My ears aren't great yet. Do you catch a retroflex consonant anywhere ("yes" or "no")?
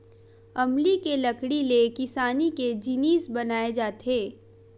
yes